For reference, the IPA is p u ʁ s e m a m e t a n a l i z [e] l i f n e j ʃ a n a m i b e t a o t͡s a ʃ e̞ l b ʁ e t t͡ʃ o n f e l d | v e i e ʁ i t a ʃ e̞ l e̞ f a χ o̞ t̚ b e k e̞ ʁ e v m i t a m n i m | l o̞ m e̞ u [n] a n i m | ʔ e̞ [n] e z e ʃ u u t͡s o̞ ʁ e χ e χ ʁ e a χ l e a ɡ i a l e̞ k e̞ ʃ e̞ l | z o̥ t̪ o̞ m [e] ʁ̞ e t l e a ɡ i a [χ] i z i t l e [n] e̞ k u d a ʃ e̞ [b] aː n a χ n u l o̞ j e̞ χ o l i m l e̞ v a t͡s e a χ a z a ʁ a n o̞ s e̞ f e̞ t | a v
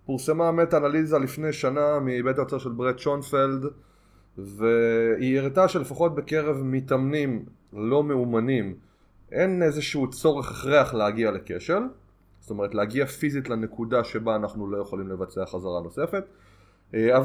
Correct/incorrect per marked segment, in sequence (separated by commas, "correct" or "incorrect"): incorrect, incorrect, correct, correct, incorrect, correct, correct